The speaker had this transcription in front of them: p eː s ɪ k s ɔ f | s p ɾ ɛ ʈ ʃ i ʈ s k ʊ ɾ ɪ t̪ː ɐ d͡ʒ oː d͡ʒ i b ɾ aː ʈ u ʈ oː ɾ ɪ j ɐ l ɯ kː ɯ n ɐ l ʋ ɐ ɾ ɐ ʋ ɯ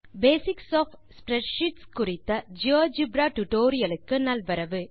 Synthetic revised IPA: b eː s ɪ k s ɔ f | s p ɾ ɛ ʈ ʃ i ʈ s k ʊ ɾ ɪ t̪ː ɐ d͡ʒ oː d͡ʒ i b ɾ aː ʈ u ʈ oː ɾ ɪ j ɐ l ɯ kː ɯ n ɐ l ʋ ɐ ɾ ɐ ʋ ɯ